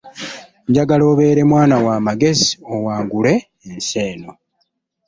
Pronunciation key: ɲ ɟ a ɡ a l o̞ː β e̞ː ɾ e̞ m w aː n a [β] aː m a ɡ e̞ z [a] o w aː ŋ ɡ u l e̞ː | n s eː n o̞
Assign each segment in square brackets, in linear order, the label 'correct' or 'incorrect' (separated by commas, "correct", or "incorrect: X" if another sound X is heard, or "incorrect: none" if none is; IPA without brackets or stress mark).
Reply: incorrect: w, incorrect: i